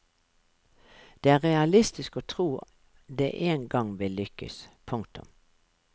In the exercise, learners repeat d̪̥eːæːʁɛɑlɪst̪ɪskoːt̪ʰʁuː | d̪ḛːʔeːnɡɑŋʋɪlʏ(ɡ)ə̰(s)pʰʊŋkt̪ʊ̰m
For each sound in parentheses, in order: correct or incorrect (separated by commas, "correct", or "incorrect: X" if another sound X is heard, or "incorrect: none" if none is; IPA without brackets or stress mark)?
incorrect: k, correct